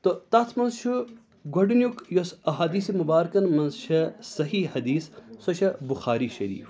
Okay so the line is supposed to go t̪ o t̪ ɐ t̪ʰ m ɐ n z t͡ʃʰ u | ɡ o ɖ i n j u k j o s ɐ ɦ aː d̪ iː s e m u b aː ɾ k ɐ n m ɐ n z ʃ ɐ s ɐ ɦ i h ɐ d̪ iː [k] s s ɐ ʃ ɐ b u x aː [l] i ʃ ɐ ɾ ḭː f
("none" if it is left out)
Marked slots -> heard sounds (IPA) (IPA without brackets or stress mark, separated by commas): none, ɾ